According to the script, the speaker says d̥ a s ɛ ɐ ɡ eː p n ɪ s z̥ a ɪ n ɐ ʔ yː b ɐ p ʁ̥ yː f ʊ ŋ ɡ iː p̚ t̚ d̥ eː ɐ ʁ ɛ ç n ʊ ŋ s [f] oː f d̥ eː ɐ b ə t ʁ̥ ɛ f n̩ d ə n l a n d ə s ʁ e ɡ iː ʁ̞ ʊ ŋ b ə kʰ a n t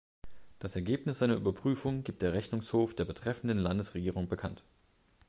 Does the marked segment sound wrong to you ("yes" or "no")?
yes